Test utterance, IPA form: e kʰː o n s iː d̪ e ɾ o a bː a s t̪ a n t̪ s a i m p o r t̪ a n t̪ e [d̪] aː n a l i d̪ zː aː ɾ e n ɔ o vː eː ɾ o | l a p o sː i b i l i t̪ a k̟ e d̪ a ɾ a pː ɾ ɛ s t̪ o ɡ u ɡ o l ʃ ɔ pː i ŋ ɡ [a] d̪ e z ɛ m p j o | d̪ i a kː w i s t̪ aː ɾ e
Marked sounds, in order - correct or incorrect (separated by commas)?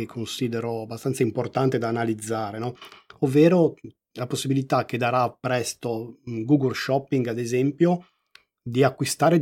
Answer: correct, correct